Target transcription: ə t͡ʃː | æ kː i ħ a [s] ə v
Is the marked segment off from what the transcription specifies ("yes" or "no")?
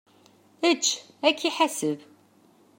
no